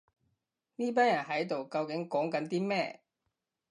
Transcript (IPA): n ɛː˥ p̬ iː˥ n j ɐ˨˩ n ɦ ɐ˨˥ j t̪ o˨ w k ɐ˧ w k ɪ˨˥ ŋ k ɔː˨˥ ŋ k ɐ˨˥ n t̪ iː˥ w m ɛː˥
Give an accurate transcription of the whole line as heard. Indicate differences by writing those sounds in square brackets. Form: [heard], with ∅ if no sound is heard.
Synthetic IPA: n [iː˥] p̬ [aː˥] n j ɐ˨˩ n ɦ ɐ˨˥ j t̪ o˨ w k ɐ˧ w k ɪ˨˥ ŋ k ɔː˨˥ ŋ k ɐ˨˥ n t̪ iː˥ [∅] m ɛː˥

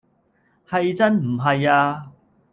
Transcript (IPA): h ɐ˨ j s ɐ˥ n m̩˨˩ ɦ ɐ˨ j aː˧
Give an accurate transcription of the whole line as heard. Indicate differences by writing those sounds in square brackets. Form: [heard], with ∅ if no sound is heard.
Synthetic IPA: h ɐ˨ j [t͡s] ɐ˥ n m̩˨˩ ɦ ɐ˨ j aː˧

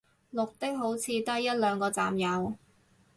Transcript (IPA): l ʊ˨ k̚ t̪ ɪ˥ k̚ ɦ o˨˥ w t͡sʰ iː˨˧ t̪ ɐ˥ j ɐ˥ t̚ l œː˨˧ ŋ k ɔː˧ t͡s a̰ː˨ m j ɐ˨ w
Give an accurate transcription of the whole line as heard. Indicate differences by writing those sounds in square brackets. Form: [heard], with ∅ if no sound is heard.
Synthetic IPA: l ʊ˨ k̚ t̪ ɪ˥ k̚ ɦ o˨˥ w t͡sʰ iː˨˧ t̪ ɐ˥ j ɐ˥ t̚ l œː˨˧ ŋ k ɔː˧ t͡s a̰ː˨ m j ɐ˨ w

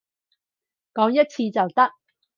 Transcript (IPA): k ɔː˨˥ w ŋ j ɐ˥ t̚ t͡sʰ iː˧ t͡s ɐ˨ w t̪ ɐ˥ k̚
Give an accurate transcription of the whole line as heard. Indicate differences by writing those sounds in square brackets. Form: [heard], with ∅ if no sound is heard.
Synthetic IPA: k ɔː˨˥ [∅] ŋ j ɐ˥ t̚ t͡sʰ iː˧ t͡s ɐ˨ w t̪ ɐ˥ k̚

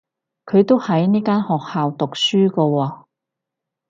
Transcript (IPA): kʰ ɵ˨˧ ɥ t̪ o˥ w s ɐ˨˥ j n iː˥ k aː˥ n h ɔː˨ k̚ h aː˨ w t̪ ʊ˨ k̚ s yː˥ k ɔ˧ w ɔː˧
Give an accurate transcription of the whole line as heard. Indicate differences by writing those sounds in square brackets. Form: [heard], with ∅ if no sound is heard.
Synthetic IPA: kʰ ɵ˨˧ ɥ t̪ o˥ w [h] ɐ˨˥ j n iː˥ k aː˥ n h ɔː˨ k̚ h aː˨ w t̪ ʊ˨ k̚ s yː˥ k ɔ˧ w ɔː˧

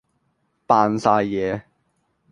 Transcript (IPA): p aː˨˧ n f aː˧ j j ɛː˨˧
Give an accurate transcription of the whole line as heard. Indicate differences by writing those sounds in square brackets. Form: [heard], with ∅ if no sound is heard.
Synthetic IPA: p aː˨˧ n [s] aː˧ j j ɛː˨˧

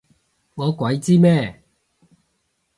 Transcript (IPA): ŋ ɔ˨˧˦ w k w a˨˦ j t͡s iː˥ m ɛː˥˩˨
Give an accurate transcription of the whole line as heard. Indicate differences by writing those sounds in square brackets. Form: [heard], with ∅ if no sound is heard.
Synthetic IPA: ŋ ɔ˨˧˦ [∅] k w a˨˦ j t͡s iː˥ m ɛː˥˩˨

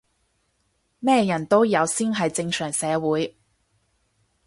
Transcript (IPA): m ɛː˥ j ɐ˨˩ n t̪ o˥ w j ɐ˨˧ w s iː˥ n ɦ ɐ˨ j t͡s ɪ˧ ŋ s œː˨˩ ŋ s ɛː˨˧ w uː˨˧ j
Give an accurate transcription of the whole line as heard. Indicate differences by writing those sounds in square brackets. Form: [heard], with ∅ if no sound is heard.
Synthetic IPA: m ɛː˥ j ɐ˨˩ n t̪ o˥ w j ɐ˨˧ w s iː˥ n ɦ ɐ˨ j t͡s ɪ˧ ŋ s œː˨˩ ŋ s ɛː˨˧ w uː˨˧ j

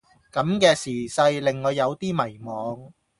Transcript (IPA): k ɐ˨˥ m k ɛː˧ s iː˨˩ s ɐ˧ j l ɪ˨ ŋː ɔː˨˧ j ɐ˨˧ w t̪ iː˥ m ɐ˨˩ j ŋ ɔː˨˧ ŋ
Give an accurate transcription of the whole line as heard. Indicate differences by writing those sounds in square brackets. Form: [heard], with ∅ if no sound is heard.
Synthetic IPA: k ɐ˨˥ m k ɛː˧ s iː˨˩ s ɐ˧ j l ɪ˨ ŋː ɔː˨˧ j ɐ˨˧ w t̪ iː˥ m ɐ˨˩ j [m] ɔː˨˧ ŋ

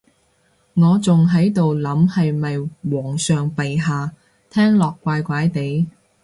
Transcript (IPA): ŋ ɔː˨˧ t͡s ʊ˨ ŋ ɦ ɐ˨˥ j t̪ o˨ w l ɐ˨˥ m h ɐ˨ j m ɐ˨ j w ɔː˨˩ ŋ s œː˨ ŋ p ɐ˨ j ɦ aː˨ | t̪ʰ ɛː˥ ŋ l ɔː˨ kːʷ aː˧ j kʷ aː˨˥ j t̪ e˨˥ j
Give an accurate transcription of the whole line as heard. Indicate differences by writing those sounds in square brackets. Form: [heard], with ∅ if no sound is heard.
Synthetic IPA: ŋ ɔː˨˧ t͡s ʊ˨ ŋ ɦ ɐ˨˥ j t̪ o˨ w l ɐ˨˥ m h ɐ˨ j m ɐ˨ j w ɔː˨˩ ŋ s œː˨ ŋ p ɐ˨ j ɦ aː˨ | t̪ʰ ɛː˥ ŋ l ɔː˨ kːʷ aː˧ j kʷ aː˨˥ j t̪ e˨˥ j

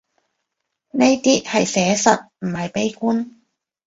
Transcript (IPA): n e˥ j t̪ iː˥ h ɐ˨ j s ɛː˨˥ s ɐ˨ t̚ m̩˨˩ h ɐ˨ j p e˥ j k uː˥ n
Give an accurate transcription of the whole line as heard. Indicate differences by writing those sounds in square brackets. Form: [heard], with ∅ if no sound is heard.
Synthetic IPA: n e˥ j t̪ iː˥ h ɐ˨ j s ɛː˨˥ s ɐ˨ t̚ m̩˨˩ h ɐ˨ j p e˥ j k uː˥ n

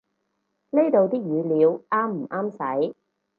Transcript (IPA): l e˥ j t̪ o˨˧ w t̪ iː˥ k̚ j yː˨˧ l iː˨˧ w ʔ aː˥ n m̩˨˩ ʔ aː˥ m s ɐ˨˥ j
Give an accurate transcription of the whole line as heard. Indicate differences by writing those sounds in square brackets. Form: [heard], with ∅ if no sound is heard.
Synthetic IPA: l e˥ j t̪ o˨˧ w t̪ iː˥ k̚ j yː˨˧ l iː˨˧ w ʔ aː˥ [m] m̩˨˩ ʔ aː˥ m s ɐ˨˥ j

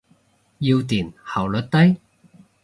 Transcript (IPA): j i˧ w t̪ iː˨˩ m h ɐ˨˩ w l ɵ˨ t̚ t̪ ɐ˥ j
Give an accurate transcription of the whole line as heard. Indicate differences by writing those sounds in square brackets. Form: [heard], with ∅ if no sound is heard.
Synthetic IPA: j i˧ w t̪ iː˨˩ [n] h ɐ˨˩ w l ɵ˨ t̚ t̪ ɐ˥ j

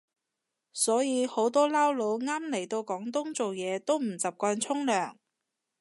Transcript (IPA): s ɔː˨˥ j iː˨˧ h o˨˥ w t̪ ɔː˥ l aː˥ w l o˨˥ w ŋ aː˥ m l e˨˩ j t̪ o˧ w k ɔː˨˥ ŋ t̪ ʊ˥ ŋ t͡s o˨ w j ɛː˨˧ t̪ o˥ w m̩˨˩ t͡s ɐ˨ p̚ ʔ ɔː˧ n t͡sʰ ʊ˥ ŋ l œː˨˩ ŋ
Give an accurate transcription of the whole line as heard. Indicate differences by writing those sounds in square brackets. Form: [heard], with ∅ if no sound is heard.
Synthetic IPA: s ɔː˨˥ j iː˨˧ h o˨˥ w t̪ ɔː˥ l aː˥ w l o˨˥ w ŋ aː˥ m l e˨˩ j t̪ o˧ w k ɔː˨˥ ŋ t̪ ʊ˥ ŋ t͡s o˨ w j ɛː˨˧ t̪ o˥ w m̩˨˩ t͡s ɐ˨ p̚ [k] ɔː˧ n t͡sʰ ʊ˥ ŋ l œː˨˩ ŋ

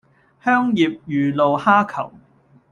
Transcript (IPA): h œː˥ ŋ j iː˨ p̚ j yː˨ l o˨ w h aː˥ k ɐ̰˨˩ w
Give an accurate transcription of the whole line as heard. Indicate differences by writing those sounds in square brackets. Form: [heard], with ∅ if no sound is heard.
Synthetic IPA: h œː˥ ŋ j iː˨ p̚ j yː˨ l o˨ w h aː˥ [kʰ] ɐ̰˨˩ w

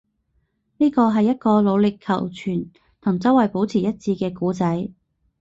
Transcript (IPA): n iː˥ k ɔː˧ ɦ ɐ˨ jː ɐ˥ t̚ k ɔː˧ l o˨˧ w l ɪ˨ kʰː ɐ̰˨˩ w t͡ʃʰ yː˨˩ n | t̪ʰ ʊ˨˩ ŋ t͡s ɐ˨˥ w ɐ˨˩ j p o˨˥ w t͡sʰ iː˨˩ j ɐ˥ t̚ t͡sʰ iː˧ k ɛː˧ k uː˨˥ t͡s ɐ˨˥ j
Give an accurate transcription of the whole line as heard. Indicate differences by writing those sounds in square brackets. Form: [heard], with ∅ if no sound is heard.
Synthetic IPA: n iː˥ k ɔː˧ ɦ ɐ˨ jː ɐ˥ t̚ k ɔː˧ l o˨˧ w l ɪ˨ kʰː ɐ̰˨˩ w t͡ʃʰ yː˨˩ n | t̪ʰ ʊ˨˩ ŋ t͡s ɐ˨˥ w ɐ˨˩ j p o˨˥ w t͡sʰ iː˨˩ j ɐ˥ t̚ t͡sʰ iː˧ k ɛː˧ k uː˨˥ t͡s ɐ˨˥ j

